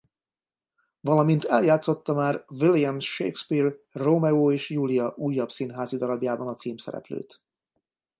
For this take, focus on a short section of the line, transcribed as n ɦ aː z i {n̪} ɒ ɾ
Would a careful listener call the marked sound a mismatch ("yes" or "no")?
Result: yes